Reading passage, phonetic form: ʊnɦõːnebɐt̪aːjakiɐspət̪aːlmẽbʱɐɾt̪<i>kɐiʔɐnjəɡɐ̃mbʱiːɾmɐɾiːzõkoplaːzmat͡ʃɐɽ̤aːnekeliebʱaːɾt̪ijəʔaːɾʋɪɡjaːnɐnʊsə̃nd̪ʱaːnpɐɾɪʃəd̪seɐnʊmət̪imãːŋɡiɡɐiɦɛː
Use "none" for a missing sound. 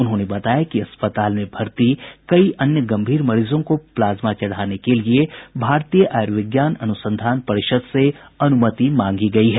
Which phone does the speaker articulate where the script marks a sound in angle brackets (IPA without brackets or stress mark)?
i